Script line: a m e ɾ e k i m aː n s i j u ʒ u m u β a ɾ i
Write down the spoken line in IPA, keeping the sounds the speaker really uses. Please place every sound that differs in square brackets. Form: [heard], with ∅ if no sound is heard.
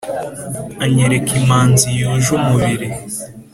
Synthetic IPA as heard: a [ɲ] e ɾ e k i m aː n [z] i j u ʒ u m u β [i] ɾ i

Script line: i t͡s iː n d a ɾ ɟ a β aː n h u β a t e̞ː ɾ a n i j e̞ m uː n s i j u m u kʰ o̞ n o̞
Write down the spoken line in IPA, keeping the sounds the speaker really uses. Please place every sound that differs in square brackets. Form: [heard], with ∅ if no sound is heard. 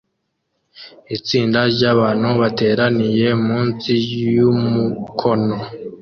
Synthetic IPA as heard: i t͡s iː n d a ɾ ɟ a β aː n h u β a t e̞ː ɾ a n i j e̞ m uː n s i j u m u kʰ o̞ n o̞

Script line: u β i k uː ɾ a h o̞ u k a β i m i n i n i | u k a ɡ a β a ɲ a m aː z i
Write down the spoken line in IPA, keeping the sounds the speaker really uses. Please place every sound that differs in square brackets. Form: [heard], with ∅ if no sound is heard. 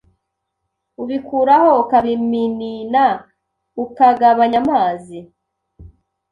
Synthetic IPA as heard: u β i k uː ɾ a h o̞ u k a β i m i n i n [a] | u k a ɡ a β a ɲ a m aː z i

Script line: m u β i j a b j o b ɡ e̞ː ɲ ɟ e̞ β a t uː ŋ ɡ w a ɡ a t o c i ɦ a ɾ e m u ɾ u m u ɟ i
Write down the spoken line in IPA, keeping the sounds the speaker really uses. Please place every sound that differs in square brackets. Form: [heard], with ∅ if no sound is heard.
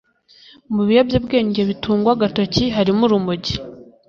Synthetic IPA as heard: m u β i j a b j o b ɡ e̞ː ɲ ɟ e̞ β [i] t uː ŋ ɡ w a ɡ a t o c i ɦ a ɾ [i] m u ɾ u m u ɟ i

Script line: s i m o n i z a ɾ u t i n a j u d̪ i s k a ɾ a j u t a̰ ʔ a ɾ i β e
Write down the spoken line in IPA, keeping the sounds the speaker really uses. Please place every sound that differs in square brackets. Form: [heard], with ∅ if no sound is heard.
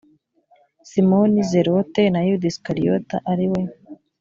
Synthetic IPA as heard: s i m o n i z [e] ɾ [o] t [e] n a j u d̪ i s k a ɾ [i] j [o] t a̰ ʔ a ɾ i [w] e

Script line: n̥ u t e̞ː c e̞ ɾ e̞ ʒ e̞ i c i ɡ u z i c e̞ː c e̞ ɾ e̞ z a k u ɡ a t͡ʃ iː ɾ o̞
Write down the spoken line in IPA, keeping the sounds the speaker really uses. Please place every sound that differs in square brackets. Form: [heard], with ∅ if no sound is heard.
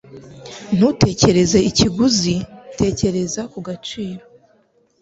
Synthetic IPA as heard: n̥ u t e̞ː c e̞ ɾ e̞ [z] e̞ i c i ɡ u z i [t] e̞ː c e̞ ɾ e̞ z a k u ɡ a t͡ʃ iː ɾ o̞

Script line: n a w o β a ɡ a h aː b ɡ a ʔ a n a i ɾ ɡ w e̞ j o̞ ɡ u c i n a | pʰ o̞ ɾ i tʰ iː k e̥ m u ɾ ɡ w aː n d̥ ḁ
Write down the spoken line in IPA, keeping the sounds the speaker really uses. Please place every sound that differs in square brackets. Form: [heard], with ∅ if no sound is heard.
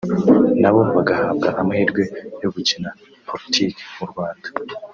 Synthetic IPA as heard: n a [β] o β a ɡ a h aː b ɡ a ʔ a [m] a i ɾ ɡ w e̞ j o̞ ɡ u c i n a | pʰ o̞ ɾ i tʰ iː k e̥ m u ɾ ɡ w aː n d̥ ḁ

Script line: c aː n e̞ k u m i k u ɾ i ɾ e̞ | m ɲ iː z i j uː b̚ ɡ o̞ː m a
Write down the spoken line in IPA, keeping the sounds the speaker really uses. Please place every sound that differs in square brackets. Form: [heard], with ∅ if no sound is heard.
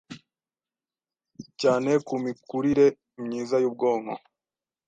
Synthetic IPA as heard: c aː n e̞ k u m i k u ɾ i ɾ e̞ | m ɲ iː z [a] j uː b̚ ɡ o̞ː m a

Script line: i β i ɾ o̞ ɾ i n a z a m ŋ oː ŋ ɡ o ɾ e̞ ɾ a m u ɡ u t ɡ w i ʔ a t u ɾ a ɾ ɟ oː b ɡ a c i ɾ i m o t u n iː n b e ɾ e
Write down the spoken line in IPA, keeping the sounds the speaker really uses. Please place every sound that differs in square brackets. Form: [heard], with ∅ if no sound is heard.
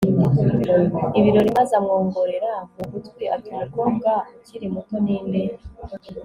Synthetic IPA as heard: i β i ɾ o̞ ɾ i [m] a z a m ŋ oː ŋ ɡ o ɾ e̞ ɾ a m u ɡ u t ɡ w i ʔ a t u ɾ a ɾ [ɡ] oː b ɡ a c i ɾ i m [u] t [o] n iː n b e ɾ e

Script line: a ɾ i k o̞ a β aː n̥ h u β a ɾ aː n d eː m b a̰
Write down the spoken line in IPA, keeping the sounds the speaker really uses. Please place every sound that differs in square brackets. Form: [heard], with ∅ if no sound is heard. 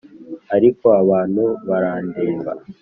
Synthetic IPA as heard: a ɾ i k o̞ a β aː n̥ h u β a ɾ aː n d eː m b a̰

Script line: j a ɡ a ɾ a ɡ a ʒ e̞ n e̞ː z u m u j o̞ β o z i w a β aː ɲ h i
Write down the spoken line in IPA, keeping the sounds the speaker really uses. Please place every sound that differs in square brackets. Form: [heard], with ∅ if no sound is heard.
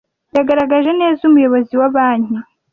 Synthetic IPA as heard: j a ɡ a ɾ a ɡ a ʒ e̞ n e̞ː z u m u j o̞ β o z i w a β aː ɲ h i

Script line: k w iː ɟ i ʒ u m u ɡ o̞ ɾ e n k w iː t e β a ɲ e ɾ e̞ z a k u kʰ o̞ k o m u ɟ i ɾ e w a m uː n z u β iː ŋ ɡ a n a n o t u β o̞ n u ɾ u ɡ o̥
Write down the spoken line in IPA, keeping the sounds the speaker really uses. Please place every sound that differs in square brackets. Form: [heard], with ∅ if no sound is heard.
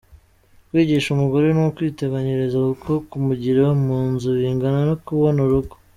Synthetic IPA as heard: k w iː ɟ i [ʃ] u m u ɡ o̞ ɾ e n k w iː t e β a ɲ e ɾ e̞ z a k u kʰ o̞ k [u] m u ɟ i ɾ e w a m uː n z u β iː ŋ ɡ a n a n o [k] u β o̞ n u ɾ u ɡ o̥

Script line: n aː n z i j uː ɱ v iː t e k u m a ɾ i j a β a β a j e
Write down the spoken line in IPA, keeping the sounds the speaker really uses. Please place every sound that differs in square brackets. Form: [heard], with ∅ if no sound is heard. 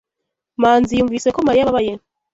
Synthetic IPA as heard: [m] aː n z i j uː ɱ v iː [s] e k [o] m a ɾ i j a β a β a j e

